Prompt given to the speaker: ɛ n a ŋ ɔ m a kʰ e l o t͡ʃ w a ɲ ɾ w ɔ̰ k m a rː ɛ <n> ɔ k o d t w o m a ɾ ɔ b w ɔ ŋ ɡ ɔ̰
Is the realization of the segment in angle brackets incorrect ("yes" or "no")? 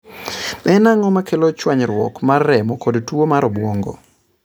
yes